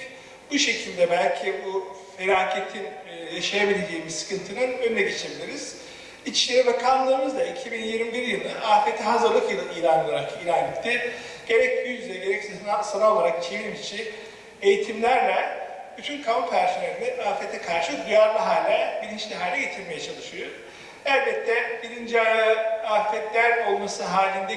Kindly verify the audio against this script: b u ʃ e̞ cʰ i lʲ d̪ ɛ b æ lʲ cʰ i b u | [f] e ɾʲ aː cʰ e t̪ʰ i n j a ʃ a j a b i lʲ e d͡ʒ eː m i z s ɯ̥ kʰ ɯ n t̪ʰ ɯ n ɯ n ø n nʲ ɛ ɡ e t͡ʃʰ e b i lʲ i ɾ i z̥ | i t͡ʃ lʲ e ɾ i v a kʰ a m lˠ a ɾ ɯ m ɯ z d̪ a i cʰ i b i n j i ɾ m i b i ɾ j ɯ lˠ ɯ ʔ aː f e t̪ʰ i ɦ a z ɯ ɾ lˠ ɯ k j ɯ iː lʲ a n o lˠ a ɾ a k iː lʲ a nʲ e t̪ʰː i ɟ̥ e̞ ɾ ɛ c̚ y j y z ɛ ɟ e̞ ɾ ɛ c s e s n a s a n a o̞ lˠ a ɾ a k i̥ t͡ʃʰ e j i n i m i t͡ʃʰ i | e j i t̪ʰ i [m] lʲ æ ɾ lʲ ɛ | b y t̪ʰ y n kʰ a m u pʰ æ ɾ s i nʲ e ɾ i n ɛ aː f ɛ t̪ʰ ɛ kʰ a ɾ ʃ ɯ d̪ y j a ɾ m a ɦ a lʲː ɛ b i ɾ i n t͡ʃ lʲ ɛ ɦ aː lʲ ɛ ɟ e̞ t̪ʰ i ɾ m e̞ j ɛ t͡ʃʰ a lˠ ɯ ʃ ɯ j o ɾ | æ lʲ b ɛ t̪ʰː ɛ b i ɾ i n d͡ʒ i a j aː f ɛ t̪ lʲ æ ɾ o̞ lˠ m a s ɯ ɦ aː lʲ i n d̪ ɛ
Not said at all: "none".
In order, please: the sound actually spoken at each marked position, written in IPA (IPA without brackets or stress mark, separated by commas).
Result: f, m